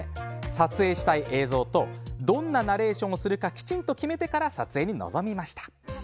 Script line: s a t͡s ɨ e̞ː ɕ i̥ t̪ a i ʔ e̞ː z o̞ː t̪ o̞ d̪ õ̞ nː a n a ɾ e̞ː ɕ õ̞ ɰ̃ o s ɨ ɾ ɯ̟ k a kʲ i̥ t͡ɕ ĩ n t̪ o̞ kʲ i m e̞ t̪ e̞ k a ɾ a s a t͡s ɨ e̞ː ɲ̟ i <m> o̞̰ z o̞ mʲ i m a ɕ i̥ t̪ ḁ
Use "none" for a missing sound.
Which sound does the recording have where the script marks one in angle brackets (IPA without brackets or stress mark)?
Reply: n